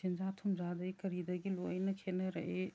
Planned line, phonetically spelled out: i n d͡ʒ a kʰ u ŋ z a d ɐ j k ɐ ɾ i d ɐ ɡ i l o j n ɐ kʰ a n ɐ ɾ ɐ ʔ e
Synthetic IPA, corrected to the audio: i n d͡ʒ a tʰ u m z a d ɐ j k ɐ ɾ i d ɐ ɡ i l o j n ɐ kʰ e n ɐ ɾ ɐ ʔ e